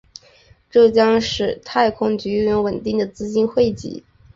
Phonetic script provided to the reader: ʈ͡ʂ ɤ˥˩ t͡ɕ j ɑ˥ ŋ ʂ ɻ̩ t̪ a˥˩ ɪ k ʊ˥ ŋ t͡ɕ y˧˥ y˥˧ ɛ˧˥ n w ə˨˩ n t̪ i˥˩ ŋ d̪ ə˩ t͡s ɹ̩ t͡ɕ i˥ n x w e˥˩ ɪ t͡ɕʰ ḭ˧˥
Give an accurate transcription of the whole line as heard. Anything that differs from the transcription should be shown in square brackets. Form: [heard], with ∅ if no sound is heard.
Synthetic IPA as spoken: ʈ͡ʂ ɤ˥˩ t͡ɕ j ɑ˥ ŋ ʂ ɻ̩ [t̪ʰ] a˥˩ ɪ [kʰ] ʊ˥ ŋ t͡ɕ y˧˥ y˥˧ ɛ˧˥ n w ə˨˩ n t̪ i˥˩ ŋ d̪ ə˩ t͡s ɹ̩ t͡ɕ i˥ n x w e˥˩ ɪ [t͡ɕ] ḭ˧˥